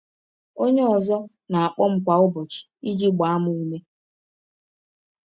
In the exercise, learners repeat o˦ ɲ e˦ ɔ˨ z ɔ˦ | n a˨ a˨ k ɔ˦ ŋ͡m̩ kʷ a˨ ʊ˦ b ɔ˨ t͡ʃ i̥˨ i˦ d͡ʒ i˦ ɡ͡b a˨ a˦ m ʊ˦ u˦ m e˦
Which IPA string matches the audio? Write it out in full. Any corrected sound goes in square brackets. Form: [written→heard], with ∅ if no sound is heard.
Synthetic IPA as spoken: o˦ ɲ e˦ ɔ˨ z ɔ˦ | n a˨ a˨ [k→k͡p] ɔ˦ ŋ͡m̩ kʷ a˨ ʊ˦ b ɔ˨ t͡ʃ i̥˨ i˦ d͡ʒ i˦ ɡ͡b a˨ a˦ m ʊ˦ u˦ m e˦

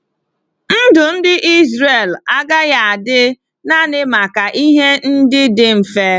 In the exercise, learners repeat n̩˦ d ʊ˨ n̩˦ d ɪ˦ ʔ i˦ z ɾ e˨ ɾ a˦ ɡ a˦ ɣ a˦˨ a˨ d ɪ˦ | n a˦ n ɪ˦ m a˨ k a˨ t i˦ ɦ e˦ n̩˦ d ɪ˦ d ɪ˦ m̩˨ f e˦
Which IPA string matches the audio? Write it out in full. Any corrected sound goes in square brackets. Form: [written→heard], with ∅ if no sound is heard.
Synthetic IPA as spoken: n̩˦ d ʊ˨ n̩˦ d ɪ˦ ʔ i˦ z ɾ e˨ [ɾ→l] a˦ ɡ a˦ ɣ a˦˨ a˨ d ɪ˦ | n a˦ n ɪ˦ m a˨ k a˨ [t→ʔ] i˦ ɦ e˦ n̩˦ d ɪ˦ d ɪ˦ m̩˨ f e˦

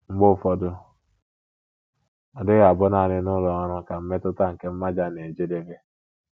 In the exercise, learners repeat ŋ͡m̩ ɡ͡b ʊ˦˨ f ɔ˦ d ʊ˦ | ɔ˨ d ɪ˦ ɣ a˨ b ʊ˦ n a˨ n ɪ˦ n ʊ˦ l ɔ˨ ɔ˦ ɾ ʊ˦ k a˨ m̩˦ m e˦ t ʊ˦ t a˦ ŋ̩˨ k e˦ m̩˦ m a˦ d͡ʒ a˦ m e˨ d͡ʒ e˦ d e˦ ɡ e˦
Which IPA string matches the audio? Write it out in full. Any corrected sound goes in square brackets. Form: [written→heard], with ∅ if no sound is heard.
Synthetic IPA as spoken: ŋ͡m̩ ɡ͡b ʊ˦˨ f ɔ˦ d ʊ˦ | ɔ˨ d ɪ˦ ɣ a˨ b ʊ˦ n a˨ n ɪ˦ n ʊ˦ l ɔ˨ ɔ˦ ɾ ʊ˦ k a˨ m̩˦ m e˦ t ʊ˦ t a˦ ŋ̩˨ k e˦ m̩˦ m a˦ d͡ʒ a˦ [m→n] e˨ d͡ʒ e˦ d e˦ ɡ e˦

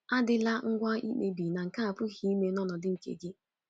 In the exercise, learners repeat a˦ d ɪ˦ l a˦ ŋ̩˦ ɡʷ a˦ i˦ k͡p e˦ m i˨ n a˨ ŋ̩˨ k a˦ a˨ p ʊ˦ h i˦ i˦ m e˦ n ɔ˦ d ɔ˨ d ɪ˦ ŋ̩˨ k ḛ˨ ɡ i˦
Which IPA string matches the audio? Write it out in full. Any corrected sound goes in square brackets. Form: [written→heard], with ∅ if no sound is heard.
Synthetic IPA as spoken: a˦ d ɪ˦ l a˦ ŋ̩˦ ɡʷ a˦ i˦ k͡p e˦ [m→b] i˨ n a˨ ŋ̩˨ k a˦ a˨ p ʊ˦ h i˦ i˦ m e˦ n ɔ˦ [d→n] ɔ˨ d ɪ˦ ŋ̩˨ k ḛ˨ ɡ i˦

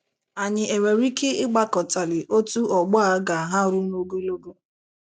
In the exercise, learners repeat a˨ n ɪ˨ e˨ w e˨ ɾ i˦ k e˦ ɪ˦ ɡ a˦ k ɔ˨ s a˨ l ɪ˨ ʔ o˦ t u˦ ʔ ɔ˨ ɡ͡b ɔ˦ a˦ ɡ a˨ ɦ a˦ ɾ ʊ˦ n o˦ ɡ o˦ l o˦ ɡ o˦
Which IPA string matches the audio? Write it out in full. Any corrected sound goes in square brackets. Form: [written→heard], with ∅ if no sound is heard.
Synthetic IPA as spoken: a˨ [n→ɲ] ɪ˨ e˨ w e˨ ɾ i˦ k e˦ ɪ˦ [ɡ→ɡ͡b] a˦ k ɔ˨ [s→t] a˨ l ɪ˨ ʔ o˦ t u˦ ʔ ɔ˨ ɡ͡b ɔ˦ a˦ ɡ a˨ ɦ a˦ ɾ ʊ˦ n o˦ ɡ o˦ l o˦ ɡ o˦

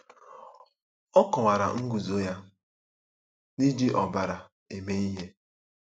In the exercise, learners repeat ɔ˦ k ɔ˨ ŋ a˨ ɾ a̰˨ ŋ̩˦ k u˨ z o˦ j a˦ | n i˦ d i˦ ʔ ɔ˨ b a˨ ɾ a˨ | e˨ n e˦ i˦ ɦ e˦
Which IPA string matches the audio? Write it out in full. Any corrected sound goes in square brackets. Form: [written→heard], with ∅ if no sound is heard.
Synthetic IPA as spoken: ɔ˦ k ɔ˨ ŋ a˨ ɾ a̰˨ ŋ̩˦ [k→ɡ] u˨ z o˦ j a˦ | n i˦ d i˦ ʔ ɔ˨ b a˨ ɾ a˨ | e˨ [n→m] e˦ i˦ ɦ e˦

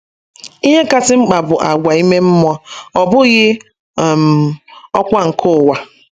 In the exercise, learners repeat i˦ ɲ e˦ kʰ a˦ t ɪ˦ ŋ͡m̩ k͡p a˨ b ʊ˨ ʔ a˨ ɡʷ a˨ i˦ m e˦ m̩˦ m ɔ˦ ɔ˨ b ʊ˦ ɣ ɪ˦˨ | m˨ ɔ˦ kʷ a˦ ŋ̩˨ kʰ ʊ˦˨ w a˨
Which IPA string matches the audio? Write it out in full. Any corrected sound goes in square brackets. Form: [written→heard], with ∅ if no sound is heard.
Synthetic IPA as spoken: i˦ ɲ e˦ [kʰ→k] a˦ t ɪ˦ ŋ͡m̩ k͡p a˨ b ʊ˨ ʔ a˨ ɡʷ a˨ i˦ m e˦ m̩˦ m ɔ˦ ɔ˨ b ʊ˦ ɣ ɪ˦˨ | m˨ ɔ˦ kʷ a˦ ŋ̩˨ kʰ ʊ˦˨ w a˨

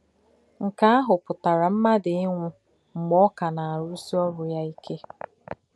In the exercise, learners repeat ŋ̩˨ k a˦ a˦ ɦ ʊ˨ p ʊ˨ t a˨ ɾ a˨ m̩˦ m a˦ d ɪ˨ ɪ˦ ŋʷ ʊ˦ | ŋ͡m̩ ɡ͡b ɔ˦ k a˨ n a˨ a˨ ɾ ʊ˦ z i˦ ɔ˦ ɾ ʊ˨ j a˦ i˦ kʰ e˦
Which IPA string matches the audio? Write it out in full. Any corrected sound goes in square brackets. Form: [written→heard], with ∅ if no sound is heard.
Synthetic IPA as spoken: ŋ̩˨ k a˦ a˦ ɦ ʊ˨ p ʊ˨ t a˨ ɾ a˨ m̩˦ m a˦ d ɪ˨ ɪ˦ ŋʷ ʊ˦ | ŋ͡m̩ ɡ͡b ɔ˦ k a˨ n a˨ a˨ ɾ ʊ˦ [z→s] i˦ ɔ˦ ɾ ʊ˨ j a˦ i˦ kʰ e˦

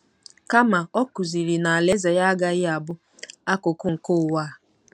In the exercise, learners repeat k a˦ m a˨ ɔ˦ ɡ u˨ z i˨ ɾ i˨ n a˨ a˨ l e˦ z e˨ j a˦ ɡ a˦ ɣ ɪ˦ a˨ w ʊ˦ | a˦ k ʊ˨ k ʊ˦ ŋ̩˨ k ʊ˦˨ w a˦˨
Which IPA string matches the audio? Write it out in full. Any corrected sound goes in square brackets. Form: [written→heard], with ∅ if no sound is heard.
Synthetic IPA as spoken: k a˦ m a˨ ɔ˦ [ɡ→k] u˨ z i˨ ɾ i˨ n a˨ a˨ l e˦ z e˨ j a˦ ɡ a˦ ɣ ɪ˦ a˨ [w→b] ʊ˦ | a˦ k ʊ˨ k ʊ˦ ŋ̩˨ k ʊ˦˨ w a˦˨

